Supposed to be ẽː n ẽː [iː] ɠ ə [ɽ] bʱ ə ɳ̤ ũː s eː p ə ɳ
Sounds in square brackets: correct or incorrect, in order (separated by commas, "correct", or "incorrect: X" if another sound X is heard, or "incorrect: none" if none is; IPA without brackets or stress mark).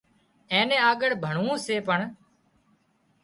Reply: incorrect: aː, correct